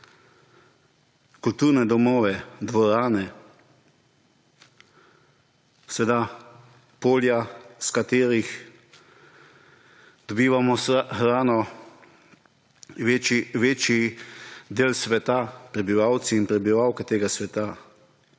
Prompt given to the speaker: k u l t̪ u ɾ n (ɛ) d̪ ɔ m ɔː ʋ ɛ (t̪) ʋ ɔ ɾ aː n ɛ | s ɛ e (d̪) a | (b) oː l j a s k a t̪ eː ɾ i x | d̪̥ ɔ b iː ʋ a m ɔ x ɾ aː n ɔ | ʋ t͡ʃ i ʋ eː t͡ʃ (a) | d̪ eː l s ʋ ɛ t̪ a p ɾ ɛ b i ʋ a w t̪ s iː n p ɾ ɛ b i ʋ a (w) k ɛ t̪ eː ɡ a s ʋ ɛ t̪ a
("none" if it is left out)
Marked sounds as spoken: ɛ, d̪, d̪, p, i, w

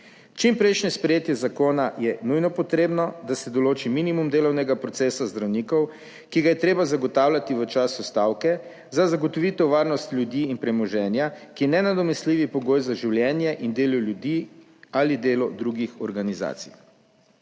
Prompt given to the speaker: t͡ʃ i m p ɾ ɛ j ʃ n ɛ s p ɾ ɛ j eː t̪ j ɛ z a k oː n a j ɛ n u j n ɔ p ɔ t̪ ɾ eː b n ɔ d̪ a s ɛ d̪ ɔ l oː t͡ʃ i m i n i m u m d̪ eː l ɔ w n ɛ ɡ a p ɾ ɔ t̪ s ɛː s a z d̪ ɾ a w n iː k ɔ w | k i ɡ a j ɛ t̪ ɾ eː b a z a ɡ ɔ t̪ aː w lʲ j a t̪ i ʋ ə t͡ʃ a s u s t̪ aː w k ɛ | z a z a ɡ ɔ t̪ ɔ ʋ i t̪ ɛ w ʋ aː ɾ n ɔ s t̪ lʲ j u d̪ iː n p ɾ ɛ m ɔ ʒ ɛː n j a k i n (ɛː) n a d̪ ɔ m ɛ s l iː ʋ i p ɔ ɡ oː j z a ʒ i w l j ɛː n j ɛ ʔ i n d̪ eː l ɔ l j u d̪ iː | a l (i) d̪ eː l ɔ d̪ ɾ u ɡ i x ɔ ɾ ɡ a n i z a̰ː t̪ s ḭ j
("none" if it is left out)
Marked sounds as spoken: ɛ, i

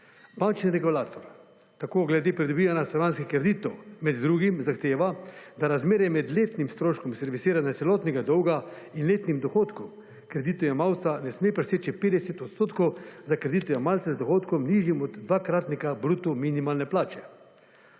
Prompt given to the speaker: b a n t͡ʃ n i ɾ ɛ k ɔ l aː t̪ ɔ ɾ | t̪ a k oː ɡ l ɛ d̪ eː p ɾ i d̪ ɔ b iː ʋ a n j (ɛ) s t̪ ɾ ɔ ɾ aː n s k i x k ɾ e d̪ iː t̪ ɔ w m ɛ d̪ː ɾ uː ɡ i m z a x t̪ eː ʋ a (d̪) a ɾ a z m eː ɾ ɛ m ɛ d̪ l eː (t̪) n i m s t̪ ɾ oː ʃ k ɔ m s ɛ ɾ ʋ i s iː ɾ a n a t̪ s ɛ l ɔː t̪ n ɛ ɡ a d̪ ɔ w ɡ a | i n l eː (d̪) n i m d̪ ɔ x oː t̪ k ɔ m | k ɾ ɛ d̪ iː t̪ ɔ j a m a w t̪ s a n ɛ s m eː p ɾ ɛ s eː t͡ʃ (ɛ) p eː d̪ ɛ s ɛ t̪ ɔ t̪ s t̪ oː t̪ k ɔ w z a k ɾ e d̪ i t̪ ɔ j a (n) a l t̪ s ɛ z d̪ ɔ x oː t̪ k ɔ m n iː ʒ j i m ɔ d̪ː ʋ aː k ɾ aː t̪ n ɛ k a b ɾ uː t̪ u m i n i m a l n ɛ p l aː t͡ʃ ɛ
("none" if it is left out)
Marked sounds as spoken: a, d̪, t̪, t̪, i, m

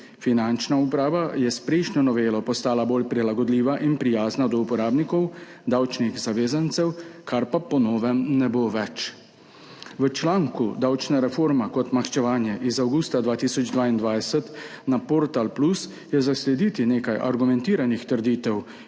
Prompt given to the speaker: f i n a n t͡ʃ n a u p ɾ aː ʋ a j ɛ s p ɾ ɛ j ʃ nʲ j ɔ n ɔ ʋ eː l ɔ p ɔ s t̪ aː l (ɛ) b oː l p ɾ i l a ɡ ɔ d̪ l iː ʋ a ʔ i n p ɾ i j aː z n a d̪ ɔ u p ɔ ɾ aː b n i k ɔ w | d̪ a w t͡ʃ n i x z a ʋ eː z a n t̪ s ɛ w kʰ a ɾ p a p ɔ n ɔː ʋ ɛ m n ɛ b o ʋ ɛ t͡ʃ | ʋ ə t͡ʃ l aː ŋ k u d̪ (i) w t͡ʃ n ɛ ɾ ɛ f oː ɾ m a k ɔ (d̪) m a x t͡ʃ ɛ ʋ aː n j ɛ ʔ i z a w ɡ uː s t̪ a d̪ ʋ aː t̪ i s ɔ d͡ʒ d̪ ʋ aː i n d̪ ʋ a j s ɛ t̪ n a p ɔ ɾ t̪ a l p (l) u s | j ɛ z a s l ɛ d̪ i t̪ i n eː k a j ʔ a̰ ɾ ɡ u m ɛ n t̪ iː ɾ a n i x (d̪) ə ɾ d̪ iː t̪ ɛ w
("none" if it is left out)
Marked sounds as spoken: a, a, t̪, l, t̪

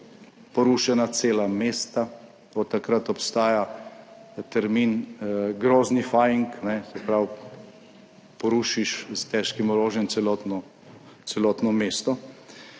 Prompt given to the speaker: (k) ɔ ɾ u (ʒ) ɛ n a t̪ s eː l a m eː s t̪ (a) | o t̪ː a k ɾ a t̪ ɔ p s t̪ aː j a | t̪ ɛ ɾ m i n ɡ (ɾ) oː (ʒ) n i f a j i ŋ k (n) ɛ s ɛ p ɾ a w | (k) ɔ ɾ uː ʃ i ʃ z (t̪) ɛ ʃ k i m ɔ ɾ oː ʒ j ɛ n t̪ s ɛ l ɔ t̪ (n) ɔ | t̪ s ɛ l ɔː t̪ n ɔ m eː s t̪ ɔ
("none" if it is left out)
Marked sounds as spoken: p, ʃ, a, ɾ, z, n, p, t̪, n

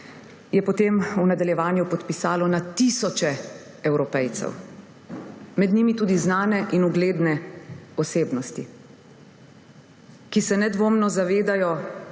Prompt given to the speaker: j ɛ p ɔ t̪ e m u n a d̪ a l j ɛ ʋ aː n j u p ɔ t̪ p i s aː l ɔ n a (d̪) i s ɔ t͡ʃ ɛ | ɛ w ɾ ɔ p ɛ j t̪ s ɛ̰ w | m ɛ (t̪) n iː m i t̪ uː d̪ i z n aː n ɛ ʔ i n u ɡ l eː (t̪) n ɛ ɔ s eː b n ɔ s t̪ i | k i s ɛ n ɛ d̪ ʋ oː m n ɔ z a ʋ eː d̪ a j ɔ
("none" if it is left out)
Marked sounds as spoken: t̪, d̪, d̪

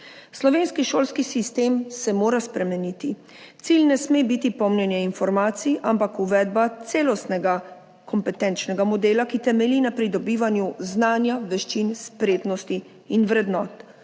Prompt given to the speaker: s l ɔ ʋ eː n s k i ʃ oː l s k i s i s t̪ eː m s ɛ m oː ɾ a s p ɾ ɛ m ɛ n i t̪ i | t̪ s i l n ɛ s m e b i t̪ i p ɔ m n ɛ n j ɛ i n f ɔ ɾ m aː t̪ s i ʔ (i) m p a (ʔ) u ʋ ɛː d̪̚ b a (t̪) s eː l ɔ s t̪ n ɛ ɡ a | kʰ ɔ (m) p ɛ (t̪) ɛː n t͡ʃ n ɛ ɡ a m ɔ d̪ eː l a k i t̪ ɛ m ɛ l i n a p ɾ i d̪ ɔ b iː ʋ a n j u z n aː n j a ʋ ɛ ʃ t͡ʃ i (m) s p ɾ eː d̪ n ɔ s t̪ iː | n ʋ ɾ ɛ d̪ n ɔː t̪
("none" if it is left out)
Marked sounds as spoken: a, k, t̪, m, t̪, n

